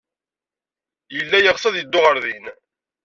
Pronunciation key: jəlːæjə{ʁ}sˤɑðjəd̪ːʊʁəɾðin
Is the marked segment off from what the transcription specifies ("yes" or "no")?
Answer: no